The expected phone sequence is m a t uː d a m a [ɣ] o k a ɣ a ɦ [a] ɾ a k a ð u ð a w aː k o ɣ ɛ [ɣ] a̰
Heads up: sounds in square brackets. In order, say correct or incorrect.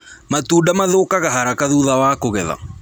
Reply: incorrect, correct, incorrect

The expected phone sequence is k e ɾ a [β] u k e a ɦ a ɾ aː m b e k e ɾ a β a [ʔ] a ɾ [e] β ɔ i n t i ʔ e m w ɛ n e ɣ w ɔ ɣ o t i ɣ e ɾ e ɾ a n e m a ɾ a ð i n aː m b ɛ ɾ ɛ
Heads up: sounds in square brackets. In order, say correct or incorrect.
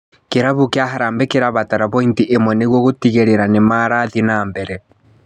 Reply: correct, incorrect, incorrect

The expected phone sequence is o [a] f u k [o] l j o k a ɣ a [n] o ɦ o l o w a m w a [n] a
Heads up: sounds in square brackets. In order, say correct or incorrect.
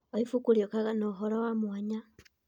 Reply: incorrect, incorrect, correct, incorrect

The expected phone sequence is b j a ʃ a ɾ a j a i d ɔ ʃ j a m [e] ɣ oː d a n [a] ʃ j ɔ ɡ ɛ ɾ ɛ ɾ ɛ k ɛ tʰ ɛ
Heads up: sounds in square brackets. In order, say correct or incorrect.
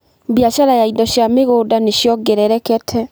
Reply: correct, incorrect

